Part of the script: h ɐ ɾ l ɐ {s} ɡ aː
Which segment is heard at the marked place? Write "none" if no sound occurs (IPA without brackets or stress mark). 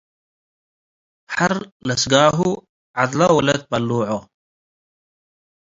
s